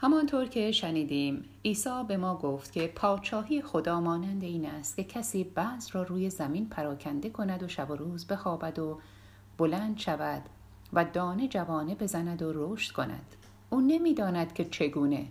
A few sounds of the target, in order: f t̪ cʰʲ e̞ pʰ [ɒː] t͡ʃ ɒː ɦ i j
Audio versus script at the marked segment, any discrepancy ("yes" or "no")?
no